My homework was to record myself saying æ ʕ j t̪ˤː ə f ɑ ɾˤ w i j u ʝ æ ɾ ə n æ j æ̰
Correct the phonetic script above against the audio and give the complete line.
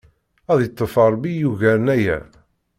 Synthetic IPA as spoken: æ ð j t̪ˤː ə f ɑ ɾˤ b i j u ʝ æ ɾ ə n æ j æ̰